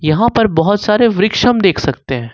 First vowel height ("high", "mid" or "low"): low